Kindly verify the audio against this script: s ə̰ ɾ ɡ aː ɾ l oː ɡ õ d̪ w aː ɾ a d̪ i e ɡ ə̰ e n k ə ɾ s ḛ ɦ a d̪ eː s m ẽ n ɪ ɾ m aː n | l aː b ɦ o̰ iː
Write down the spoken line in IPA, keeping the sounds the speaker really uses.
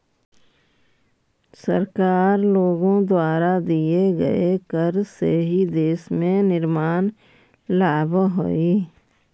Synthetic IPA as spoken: s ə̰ ɾ k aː ɾ l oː ɡ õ d̪ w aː ɾ a d̪ i e ɡ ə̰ e k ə ɾ s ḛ ɦ i d̪ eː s m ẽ n ɪ ɾ m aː n | l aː b ɦ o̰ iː